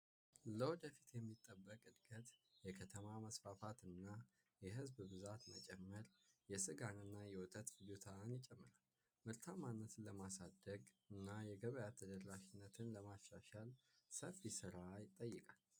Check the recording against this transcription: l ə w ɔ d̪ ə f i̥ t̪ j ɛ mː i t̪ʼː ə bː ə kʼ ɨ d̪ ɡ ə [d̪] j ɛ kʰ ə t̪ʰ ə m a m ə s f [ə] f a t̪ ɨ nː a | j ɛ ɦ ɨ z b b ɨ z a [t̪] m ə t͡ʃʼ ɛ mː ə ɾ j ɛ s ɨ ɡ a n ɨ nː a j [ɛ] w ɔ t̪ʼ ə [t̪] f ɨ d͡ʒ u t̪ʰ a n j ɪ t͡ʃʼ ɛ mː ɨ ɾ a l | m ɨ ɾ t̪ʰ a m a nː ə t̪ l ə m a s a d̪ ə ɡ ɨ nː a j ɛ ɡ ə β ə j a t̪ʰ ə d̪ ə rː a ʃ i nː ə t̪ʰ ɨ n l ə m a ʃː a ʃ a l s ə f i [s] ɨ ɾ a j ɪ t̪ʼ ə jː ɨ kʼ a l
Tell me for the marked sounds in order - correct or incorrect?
incorrect: t̪, incorrect: a, correct, correct, correct, correct

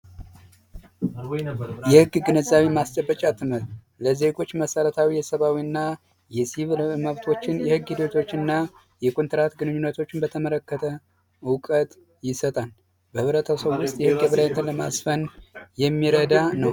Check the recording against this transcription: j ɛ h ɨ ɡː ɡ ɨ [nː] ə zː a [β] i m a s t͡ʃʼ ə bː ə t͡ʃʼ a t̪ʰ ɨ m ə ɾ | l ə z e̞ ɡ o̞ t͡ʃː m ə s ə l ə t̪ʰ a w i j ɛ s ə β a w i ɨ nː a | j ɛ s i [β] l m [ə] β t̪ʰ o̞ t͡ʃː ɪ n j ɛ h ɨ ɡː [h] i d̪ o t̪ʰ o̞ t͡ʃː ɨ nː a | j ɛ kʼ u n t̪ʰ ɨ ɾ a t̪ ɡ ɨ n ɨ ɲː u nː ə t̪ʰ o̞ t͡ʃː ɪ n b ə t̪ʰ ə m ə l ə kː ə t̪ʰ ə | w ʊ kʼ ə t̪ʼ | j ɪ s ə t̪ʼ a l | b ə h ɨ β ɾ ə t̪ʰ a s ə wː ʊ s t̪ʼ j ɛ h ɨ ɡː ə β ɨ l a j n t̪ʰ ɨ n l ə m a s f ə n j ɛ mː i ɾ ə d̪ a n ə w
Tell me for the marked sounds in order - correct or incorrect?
incorrect: n, correct, correct, correct, correct

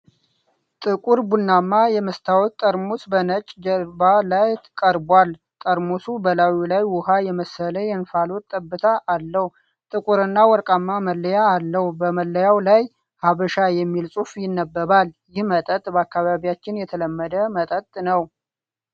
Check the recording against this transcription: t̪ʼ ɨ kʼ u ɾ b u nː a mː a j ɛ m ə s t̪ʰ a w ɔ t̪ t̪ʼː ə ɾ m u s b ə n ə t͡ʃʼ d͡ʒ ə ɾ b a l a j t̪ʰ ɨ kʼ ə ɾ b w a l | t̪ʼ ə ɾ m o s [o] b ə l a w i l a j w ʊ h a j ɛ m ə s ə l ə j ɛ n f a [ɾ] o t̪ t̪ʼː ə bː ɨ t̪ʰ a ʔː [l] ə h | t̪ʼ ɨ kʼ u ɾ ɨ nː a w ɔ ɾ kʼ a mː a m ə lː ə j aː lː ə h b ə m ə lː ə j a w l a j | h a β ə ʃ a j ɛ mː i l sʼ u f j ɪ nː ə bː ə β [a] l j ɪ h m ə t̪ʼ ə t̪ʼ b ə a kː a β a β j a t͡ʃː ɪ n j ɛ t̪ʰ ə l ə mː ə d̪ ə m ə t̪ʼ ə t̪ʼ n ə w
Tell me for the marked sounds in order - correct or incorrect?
incorrect: u, incorrect: l, incorrect: lː, correct

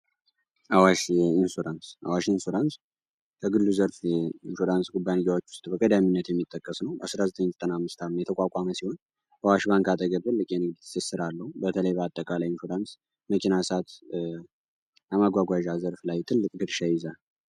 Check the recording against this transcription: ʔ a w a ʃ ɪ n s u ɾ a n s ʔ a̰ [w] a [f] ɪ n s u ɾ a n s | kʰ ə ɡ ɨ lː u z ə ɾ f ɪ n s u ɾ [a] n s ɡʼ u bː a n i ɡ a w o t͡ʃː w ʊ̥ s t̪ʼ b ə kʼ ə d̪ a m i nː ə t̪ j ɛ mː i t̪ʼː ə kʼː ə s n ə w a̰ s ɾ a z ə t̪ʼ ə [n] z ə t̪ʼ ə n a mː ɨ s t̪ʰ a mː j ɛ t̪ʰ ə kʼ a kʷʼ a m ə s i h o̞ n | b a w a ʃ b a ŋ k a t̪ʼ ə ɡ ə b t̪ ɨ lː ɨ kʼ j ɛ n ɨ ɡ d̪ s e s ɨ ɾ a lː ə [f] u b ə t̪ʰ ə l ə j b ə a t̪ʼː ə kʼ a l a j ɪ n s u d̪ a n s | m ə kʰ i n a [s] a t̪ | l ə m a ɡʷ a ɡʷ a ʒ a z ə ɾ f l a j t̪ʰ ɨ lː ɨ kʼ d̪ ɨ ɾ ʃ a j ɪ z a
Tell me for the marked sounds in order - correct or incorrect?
correct, incorrect: ʃ, correct, incorrect: ɲ, incorrect: h, correct

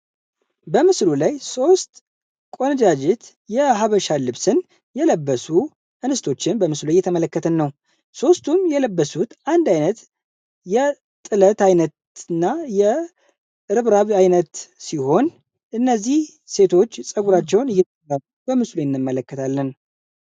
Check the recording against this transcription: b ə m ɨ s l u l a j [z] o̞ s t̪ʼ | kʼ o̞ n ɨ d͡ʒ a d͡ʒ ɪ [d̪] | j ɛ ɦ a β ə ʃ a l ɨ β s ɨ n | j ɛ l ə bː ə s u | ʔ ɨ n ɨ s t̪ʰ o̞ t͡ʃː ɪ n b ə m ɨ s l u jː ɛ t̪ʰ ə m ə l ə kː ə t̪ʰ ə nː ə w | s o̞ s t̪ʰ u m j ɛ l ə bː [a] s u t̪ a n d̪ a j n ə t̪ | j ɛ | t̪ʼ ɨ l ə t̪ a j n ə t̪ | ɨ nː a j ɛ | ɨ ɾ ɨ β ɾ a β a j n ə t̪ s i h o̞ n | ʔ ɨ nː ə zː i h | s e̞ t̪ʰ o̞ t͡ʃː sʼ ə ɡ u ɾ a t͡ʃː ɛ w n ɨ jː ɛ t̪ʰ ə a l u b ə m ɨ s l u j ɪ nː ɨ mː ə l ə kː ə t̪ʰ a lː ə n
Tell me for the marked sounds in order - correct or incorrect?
incorrect: s, incorrect: t̪, incorrect: ə

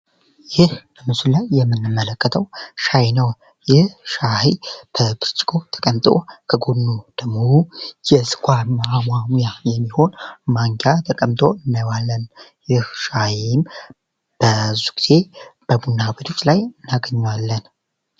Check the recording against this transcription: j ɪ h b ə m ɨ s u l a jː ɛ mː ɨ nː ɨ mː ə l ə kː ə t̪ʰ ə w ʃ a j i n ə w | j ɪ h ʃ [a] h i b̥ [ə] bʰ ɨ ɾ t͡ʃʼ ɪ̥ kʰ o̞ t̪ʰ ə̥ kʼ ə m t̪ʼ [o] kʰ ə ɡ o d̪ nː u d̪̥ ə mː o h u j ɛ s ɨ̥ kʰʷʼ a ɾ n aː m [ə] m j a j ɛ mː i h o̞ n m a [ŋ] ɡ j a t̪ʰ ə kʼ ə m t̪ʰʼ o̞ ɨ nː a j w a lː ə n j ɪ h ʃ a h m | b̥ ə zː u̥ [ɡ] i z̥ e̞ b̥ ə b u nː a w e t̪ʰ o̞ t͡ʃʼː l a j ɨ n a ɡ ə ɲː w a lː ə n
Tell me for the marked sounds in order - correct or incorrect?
correct, correct, correct, incorrect: a, correct, correct

